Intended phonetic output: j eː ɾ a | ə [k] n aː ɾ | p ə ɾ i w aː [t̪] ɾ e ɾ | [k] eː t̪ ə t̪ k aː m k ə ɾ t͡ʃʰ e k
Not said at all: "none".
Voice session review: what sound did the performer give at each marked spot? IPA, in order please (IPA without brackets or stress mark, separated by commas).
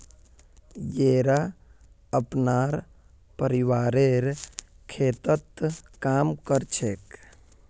p, none, kʰ